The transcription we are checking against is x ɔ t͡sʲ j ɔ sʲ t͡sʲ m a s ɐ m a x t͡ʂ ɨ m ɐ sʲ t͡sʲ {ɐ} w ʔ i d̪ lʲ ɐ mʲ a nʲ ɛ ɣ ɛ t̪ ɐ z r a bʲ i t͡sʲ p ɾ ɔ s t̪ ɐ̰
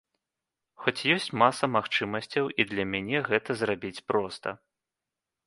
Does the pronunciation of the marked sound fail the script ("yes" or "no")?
no